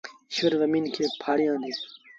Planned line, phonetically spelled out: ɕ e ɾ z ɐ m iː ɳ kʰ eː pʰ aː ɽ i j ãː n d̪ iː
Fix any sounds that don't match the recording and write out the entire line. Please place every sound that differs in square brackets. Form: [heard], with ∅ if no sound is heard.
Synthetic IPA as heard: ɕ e ɾ z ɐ m iː [n] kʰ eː pʰ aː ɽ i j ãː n d̪ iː